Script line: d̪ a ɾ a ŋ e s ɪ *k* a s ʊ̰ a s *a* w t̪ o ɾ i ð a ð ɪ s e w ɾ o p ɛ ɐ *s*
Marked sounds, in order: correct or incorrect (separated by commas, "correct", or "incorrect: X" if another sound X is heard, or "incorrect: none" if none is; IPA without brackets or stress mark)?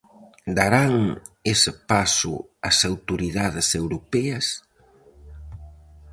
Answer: incorrect: p, correct, correct